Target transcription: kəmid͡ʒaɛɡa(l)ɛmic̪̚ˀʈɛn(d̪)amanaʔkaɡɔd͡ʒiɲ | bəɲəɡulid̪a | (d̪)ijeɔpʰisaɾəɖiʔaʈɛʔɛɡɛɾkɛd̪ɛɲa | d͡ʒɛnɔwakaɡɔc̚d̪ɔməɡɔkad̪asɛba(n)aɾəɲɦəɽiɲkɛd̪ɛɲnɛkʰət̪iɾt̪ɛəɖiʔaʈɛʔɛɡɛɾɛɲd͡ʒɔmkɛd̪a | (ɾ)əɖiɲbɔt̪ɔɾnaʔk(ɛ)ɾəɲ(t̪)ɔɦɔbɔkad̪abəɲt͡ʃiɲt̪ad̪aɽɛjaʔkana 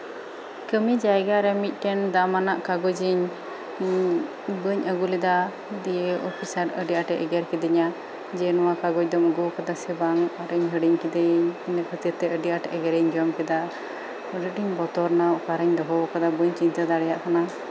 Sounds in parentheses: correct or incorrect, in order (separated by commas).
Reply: incorrect, correct, correct, incorrect, correct, incorrect, incorrect